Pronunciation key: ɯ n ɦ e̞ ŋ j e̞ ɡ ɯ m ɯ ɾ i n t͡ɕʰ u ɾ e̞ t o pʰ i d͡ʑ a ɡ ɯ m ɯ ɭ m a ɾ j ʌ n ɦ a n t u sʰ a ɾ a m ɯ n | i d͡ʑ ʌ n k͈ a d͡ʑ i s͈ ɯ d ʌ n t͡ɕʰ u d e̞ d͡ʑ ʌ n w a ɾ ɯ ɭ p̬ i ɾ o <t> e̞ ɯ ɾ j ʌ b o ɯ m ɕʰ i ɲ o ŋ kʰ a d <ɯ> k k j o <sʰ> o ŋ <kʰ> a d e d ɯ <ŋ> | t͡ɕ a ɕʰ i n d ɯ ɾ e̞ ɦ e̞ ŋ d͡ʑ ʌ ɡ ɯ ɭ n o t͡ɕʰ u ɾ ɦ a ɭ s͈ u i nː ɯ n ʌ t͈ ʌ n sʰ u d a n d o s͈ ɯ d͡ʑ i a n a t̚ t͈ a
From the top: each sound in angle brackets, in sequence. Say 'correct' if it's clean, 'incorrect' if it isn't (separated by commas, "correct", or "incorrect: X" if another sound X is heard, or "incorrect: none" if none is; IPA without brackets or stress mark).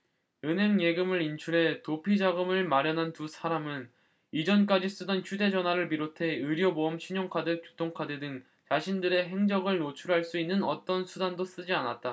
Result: incorrect: tʰ, correct, incorrect: tʰ, correct, correct